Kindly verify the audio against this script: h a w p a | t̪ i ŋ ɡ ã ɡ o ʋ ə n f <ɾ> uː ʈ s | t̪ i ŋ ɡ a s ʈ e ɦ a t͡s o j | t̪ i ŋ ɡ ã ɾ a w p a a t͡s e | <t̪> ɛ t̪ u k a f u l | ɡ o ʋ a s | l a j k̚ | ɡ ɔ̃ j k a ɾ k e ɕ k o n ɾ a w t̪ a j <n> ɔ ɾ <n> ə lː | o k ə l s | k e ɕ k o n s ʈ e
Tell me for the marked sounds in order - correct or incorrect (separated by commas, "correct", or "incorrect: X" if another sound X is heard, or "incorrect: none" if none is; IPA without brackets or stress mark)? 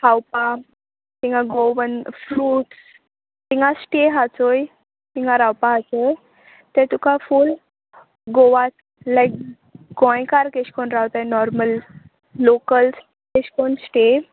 correct, correct, correct, incorrect: m